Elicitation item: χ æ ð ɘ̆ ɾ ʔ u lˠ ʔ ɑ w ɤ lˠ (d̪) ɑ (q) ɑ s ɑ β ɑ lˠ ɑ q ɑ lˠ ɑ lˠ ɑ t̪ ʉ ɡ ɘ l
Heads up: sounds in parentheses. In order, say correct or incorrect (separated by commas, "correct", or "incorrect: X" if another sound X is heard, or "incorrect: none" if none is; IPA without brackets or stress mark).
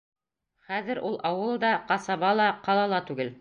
correct, correct